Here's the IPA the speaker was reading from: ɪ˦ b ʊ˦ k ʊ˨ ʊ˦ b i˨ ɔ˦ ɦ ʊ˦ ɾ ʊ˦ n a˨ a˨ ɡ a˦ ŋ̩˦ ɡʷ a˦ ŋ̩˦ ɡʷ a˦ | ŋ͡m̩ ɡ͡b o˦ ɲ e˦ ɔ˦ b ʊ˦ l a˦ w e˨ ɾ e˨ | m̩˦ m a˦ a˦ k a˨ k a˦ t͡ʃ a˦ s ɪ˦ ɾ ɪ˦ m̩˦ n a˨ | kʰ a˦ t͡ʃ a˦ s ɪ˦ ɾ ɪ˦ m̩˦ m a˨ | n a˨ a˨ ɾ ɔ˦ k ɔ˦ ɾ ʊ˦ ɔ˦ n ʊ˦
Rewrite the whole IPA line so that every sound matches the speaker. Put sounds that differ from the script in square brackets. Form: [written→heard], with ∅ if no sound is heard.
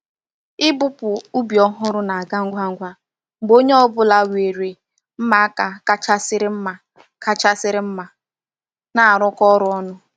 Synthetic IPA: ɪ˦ b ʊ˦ [k→p] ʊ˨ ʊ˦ b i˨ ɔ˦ ɦ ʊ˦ ɾ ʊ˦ n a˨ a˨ ɡ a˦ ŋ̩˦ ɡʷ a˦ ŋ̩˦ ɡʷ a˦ | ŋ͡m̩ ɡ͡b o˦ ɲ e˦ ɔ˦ b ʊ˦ l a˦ w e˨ ɾ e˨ | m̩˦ m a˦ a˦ k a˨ k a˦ t͡ʃ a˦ s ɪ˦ ɾ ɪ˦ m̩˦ [n→m] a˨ | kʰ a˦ t͡ʃ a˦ s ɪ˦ ɾ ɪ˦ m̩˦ m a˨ | n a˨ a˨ ɾ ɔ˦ k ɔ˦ ɾ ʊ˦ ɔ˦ n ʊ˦